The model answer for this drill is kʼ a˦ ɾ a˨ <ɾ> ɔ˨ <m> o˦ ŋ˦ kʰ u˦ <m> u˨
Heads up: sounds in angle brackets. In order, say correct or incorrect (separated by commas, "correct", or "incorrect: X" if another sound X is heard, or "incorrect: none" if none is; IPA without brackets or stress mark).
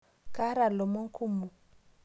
incorrect: l, correct, correct